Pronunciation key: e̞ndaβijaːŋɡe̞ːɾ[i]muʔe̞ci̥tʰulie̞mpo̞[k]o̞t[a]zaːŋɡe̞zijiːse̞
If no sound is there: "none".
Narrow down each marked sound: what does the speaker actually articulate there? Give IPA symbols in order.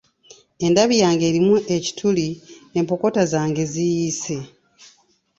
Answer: i, k, a

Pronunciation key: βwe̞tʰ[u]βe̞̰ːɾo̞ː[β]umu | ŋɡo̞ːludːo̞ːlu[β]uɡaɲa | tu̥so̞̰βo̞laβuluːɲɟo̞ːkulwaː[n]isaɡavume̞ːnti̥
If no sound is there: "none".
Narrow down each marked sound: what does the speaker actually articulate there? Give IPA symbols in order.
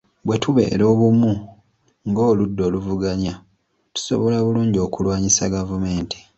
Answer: u, β, v, ɲ

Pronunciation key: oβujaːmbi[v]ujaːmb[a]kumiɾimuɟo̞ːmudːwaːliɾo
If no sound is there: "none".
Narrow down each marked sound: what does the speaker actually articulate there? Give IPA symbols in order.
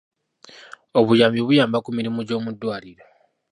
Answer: β, a

